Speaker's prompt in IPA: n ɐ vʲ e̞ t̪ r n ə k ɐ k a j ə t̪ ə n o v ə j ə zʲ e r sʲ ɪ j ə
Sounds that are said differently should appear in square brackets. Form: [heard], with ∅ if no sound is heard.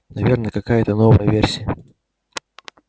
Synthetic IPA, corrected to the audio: n ɐ vʲ e̞ [∅] r n ə k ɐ k a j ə t̪ ə n o v ə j ə [vʲ] e r sʲ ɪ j ə